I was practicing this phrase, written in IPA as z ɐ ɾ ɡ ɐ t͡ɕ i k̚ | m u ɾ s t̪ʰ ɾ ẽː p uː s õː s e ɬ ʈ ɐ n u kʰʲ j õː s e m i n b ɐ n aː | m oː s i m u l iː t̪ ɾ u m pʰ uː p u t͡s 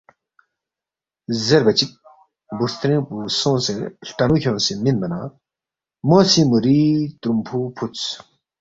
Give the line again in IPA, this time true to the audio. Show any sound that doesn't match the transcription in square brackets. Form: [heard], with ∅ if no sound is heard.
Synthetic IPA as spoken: z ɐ ɾ [b] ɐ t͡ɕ i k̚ | [b] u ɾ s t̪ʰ ɾ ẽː p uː s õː s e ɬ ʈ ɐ n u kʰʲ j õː s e m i n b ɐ n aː | m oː s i m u [ɾ] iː t̪ ɾ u m pʰ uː [pʰ] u t͡s